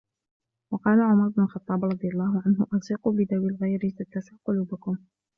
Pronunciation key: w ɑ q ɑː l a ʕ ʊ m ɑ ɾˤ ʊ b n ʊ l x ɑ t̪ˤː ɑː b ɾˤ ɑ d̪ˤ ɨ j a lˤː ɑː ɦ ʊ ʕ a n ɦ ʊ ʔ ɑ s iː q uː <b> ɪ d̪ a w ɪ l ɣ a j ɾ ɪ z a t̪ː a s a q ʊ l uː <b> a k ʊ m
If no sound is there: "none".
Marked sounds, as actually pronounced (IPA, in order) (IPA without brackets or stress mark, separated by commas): b, b